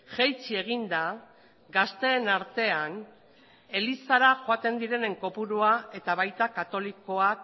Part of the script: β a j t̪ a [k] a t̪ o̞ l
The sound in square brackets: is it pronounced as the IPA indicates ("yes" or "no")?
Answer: yes